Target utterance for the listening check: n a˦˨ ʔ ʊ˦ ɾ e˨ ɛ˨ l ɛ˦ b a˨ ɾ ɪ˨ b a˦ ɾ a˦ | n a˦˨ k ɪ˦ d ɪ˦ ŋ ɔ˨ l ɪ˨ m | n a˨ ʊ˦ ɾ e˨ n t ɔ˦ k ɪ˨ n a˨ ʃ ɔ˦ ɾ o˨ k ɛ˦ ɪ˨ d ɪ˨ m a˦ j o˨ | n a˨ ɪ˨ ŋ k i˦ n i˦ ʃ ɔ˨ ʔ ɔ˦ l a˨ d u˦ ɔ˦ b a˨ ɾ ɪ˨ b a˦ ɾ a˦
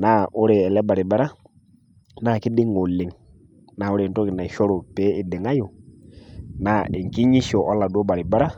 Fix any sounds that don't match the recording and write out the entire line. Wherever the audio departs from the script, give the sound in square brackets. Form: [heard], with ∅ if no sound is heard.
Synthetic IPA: n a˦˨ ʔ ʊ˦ ɾ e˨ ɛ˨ l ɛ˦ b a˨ ɾ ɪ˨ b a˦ ɾ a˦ | n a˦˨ k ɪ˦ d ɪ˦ ŋ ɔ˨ l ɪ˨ [ŋ] | n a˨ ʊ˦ ɾ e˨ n t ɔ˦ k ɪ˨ n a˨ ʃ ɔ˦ ɾ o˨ [p] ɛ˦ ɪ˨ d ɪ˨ [ŋ] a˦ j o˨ | n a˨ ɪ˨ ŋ k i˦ [ɲ] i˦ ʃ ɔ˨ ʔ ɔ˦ l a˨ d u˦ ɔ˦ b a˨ ɾ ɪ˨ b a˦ ɾ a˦

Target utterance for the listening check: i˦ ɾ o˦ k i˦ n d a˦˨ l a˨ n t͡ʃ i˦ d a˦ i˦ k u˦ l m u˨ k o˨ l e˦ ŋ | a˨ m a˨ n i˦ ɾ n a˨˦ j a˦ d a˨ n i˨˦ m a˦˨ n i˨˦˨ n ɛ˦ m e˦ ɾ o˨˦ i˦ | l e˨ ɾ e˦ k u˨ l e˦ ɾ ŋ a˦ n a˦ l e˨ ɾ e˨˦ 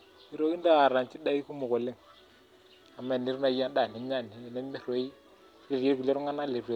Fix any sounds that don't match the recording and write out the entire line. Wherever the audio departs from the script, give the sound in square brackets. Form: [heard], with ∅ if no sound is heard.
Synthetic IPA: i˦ ɾ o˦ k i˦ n d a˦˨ [ɾ] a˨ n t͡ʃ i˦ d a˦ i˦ k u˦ [∅] m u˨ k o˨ l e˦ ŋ | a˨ m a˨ n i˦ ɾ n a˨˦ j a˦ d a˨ n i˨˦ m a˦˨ n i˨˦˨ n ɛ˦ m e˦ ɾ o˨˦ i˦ | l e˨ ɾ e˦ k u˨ l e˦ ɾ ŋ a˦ n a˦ l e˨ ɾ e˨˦

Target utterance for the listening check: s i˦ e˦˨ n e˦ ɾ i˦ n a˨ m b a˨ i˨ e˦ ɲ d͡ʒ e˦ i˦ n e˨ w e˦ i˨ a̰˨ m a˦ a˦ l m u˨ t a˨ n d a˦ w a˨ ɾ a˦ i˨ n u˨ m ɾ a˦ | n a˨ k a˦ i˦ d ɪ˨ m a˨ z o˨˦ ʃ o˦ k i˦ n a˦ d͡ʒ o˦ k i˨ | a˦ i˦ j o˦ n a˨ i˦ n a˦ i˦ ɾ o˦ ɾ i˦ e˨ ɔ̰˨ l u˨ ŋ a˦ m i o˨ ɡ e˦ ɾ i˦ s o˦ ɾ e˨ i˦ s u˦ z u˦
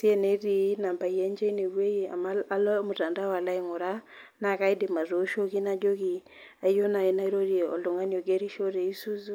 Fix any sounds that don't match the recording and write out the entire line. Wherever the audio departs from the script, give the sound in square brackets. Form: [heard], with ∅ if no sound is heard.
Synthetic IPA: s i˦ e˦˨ n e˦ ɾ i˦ n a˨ m b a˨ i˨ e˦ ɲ d͡ʒ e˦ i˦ n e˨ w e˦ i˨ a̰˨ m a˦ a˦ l m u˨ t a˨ n d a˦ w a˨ [l] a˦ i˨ [ŋ] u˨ [∅] ɾ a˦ | n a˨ k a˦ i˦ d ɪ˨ m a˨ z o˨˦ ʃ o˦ k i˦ n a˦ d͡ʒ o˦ k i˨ | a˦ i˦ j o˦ n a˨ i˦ n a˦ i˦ ɾ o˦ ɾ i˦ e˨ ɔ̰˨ l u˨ ŋ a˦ [n] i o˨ ɡ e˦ ɾ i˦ [ʃ] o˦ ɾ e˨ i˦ s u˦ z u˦

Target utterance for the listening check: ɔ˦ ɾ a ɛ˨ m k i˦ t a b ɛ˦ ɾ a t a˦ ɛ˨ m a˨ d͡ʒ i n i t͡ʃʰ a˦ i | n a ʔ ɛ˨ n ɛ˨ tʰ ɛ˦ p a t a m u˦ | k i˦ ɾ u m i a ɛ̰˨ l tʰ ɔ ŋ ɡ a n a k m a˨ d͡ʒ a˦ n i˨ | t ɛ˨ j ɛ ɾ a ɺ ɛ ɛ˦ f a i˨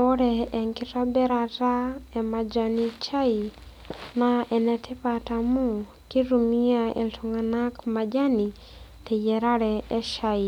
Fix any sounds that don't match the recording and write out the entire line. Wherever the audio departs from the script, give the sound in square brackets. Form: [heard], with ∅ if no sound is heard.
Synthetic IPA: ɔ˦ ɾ [ɛ] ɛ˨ [ŋ] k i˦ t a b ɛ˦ ɾ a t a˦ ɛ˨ m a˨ d͡ʒ [a] n i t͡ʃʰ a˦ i | n a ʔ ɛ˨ n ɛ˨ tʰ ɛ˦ p a t a m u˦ | k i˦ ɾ u m i a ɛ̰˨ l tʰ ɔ ŋ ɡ a n a k m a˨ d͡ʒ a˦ n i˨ | t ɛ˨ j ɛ ɾ a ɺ ɛ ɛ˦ [ʃ] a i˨

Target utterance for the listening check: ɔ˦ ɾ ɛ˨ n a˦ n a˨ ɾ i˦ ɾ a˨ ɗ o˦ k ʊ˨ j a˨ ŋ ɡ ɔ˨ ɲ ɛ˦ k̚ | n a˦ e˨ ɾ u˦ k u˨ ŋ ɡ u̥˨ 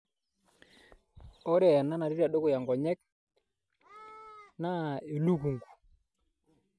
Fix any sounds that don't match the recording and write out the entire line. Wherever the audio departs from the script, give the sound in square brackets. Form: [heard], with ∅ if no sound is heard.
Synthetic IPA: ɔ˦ ɾ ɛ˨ n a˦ n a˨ ɾ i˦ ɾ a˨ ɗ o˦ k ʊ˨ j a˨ ŋ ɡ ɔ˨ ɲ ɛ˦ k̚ | n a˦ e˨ [l] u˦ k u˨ ŋ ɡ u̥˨

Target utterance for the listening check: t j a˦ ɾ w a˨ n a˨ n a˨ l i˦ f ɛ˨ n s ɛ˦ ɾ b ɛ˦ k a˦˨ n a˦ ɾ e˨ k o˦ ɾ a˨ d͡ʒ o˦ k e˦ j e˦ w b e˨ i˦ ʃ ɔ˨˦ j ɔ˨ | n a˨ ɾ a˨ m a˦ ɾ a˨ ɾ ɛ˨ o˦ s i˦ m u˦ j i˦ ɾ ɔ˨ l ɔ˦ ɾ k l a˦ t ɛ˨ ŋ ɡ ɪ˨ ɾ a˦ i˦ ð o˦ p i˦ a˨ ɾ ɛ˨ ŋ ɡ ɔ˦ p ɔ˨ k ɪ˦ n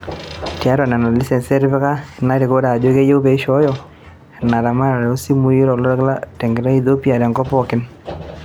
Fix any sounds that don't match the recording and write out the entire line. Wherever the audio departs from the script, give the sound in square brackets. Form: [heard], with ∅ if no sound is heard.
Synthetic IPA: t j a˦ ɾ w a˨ n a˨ n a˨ l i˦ [s] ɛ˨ n s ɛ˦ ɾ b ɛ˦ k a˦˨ n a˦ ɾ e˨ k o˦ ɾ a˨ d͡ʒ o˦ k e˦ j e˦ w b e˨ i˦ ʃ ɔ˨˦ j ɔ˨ | n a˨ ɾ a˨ m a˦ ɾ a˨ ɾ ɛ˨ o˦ s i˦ m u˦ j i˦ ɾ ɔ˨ l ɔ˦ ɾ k l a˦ t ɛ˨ ŋ ɡ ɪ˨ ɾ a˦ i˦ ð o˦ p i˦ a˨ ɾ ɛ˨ ŋ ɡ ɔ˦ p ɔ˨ k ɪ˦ n

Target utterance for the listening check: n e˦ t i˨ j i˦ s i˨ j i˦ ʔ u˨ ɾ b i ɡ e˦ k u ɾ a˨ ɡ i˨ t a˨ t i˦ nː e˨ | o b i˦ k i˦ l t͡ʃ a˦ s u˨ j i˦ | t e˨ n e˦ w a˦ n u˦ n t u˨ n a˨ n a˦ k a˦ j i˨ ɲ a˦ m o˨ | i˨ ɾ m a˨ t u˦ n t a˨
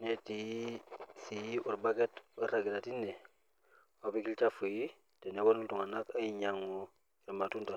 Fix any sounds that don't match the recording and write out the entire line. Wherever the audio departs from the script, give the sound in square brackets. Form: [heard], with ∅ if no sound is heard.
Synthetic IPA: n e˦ t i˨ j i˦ s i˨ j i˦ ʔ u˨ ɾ b [a] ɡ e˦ [t] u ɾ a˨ ɡ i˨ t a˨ t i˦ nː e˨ | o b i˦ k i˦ l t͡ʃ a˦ [f] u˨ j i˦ | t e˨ n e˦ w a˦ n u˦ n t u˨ [ŋ] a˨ n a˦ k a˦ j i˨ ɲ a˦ [ŋ] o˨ | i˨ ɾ m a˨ t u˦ n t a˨

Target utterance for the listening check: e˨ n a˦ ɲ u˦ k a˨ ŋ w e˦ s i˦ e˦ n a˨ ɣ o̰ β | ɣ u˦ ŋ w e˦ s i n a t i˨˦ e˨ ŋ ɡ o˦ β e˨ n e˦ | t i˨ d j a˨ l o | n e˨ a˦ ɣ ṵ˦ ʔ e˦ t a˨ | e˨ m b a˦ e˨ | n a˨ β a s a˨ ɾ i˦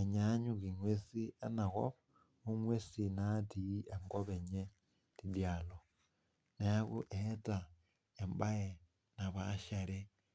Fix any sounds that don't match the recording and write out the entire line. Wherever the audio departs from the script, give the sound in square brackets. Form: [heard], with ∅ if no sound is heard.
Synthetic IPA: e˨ [ɲ] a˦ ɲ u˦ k [i˨] ŋ w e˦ s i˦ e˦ n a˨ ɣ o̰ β | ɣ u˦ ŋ w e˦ s i n a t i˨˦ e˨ ŋ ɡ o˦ β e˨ [ɲ] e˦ | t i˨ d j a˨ l o | n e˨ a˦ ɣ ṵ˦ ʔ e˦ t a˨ | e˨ m b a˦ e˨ | n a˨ β a [ʃ] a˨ ɾ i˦

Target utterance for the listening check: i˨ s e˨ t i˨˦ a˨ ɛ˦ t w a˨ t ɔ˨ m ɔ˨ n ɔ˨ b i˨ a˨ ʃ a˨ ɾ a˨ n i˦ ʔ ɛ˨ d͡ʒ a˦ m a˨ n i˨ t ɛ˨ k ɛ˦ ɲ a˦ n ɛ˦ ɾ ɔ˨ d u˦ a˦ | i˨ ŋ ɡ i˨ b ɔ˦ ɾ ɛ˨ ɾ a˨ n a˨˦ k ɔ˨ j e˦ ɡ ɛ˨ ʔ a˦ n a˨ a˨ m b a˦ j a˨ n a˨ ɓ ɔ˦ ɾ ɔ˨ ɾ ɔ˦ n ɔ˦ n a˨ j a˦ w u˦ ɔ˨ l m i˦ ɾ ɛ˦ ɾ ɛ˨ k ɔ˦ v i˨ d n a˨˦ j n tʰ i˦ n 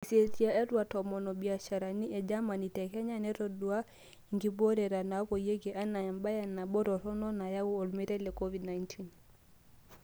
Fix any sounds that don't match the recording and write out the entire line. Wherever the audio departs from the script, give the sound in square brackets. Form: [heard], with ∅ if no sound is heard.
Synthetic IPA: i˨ s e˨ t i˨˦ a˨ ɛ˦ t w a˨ t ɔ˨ m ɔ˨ n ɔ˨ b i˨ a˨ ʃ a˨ ɾ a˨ n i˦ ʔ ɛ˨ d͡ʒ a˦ m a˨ n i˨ t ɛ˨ k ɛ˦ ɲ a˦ n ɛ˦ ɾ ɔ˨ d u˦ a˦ | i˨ ŋ ɡ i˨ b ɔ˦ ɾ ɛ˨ ɾ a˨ n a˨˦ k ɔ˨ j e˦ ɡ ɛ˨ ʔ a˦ n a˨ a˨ m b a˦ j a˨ n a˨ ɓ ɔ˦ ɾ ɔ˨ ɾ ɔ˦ n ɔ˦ n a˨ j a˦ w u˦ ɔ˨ l m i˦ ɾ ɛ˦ [l] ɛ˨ k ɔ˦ v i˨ d n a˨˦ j n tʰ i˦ n

